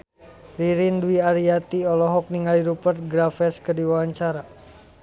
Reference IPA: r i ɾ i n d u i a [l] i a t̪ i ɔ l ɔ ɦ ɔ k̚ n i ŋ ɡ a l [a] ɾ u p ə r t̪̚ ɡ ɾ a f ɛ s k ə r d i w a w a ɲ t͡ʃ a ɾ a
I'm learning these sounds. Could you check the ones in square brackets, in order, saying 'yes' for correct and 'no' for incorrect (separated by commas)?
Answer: no, no